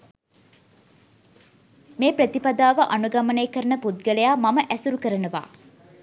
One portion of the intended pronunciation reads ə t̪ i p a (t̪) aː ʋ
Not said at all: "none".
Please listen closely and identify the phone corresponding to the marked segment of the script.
d̪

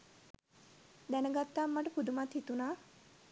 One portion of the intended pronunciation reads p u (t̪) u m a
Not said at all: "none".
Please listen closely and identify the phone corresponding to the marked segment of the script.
d̪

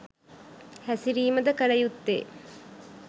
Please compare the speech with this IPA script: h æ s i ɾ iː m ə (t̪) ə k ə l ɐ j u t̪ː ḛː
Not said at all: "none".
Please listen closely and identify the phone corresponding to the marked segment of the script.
d̪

